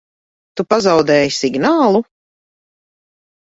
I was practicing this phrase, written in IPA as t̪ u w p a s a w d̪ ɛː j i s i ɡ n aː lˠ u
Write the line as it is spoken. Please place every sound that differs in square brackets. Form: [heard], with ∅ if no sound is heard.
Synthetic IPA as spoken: t̪ u [∅] p a [z] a w d̪ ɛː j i s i ɡ n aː lˠ u